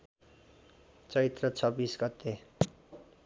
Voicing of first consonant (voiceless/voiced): voiceless